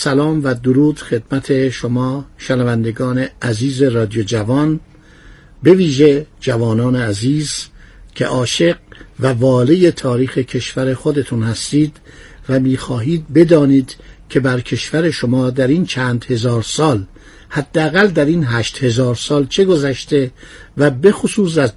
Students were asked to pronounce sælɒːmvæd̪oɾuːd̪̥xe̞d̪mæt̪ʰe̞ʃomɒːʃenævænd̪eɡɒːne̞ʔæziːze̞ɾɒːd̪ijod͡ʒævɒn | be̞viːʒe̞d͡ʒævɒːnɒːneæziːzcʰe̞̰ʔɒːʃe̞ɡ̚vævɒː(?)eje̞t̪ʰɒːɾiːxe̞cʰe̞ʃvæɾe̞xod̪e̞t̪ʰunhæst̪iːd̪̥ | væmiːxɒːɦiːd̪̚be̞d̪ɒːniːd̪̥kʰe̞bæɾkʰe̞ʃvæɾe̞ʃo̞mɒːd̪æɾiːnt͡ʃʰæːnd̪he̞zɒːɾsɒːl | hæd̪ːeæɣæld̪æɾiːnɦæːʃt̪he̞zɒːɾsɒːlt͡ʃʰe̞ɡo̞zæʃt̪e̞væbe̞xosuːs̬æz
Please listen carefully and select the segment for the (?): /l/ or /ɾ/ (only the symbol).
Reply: l